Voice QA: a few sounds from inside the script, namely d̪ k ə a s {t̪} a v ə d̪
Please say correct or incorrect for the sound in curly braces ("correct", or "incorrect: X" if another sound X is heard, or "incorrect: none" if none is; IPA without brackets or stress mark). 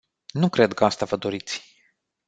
correct